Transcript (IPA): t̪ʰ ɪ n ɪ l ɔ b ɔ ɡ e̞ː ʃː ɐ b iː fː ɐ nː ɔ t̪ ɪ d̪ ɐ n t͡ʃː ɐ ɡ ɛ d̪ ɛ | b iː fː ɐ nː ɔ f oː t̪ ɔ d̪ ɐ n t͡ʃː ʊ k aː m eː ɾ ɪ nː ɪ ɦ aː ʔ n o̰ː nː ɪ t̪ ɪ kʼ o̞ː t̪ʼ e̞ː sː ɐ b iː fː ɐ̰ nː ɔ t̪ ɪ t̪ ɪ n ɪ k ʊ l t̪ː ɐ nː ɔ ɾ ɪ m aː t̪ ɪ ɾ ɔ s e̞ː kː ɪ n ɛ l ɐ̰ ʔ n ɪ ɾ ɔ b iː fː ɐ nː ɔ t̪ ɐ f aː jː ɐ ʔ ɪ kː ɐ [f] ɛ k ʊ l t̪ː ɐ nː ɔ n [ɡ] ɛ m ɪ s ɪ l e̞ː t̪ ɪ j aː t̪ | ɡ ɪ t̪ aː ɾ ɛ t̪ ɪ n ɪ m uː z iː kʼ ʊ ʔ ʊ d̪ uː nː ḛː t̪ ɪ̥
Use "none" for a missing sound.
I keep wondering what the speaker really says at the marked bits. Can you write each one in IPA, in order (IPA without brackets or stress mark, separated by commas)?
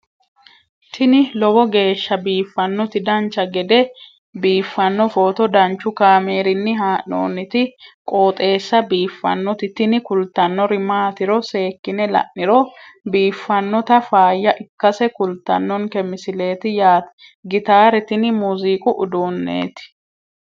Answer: s, k